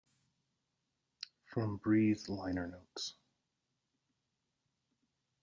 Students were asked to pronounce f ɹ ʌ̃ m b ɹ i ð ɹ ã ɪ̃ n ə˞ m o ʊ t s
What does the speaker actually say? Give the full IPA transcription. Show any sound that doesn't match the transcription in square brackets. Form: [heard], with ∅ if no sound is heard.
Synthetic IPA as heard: f ɹ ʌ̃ m b ɹ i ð [l] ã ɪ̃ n ə˞ [n] o ʊ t s